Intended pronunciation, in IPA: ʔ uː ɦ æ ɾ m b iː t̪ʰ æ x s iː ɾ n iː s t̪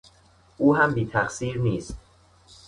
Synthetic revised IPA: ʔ uː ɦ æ m b iː t̪ʰ æ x s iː ɾ n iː s t̪